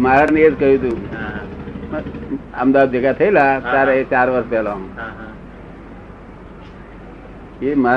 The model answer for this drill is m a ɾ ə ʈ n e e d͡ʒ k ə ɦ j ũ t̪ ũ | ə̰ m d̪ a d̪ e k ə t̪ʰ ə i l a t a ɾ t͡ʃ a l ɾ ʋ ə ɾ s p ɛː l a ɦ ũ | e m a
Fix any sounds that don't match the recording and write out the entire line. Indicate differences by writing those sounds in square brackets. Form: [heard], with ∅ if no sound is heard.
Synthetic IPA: m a ɾ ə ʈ n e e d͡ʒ k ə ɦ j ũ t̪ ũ | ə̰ m d̪ a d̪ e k [a] t̪ʰ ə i l a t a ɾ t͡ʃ a [∅] ɾ ʋ ə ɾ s p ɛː l a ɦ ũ | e m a